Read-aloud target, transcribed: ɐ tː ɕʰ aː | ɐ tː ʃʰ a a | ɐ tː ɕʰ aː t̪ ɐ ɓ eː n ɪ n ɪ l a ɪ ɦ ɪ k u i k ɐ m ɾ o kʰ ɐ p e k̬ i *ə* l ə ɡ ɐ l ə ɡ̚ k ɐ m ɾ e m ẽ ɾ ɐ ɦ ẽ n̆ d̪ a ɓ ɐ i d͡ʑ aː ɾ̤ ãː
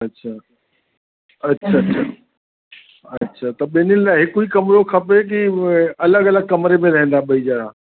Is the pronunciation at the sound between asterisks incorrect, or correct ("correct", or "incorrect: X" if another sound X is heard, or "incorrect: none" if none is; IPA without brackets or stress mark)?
incorrect: ɐ